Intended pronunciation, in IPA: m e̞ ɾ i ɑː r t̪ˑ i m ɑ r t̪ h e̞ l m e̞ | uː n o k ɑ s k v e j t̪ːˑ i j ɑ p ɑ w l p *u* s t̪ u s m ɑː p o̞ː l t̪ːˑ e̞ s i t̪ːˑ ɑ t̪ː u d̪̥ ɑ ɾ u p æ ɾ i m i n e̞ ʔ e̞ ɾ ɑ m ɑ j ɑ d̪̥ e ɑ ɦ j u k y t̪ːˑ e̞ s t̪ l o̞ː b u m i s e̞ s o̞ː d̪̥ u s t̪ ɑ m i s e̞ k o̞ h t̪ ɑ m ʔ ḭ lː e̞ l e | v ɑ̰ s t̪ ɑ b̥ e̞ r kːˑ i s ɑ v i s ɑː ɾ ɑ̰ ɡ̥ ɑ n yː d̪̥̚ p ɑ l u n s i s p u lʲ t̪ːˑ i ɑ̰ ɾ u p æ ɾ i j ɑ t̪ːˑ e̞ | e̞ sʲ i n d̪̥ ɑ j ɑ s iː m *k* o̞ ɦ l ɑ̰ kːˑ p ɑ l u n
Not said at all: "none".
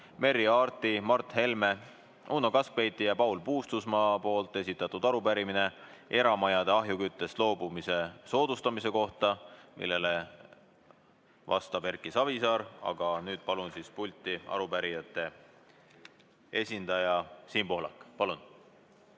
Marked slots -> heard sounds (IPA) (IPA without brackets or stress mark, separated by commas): uː, p